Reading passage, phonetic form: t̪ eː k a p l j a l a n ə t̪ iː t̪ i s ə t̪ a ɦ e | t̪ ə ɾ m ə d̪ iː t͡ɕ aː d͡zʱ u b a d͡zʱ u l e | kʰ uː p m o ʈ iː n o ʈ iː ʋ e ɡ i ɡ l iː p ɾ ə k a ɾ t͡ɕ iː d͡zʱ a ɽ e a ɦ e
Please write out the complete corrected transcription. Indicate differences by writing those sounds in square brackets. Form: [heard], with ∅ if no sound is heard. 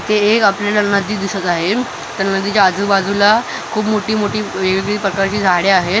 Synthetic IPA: t̪ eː k a p l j a l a n ə [d̪] iː [d̪] i s ə t̪ a ɦ e | t̪ ə ɾ [n] ə d̪ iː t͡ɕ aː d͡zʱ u b a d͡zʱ u l [a] | kʰ uː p m o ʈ iː [m] o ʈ iː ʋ e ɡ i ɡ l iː p ɾ ə k a ɾ t͡ɕ iː d͡zʱ a ɽ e a ɦ e